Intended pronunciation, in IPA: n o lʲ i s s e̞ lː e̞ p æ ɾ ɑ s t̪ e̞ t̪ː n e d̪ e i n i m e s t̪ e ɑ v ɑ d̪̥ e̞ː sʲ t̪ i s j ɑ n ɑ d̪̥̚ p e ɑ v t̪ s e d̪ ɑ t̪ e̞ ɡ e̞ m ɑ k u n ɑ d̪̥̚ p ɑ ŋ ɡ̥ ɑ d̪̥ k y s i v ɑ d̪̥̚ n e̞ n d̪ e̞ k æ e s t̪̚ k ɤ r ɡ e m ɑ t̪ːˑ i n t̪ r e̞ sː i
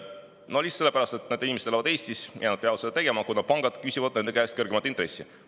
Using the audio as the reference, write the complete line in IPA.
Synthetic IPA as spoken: n o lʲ i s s e̞ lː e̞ p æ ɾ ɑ s t̪ e̞ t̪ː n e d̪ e i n i m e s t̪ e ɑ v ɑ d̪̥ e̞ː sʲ t̪ i s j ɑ n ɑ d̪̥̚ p e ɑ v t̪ s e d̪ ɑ t̪ e̞ ɡ e̞ m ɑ k u n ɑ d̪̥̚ p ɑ ŋ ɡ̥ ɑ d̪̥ k y s i v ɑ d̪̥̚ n e̞ n d̪ e̞ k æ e s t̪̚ k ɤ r ɡ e m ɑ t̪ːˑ i n t̪ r e̞ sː i